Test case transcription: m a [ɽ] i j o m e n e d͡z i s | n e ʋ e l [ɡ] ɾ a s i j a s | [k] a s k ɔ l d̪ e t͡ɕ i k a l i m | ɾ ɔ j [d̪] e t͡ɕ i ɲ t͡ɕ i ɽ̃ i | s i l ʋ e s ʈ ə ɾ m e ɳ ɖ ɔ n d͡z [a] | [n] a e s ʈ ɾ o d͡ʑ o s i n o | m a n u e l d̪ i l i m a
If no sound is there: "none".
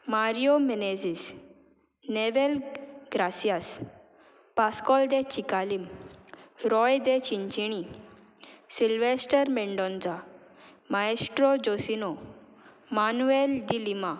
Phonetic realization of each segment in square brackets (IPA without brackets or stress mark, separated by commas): ɾ, ɡ, p, d̪, a, m